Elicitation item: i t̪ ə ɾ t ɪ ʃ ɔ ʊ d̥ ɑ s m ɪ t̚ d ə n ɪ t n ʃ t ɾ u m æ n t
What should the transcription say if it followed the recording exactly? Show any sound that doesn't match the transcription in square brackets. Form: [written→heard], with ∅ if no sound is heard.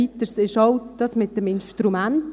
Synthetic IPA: i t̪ ə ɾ [t→s] ɪ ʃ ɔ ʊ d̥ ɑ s m ɪ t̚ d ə [n→m] ɪ [t→∅] n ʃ t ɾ u m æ n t